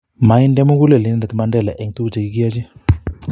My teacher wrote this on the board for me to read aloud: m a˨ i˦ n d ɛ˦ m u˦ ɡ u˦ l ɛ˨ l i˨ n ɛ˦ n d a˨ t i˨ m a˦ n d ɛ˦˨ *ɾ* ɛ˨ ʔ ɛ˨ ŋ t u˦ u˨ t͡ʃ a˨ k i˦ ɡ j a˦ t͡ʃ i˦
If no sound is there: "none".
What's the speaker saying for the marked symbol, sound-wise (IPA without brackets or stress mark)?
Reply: l